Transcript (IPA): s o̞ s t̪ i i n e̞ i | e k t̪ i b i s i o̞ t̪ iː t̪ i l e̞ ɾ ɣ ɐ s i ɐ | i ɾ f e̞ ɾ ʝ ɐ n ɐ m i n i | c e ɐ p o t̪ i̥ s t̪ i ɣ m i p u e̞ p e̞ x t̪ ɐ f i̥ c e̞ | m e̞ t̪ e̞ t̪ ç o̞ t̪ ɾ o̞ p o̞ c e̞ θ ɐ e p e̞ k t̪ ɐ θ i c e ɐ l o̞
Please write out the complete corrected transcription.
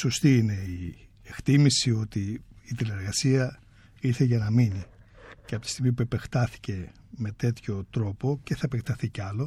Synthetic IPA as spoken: s o̞ s t̪ i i n e̞ i | e k t̪ i m i s i o̞ t̪ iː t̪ i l e̞ ɾ ɣ ɐ s i ɐ | i ɾ θ e̞ ʝ ɐ n ɐ m i n i | c e ɐ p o t̪ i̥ s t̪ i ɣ m i p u e̞ p e̞ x t̪ ɐ θ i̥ c e̞ | m e̞ t̪ e̞ t̪ ç o̞ t̪ ɾ o̞ p o̞ c e̞ θ ɐ e p e̞ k t̪ ɐ θ i c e ɐ l o̞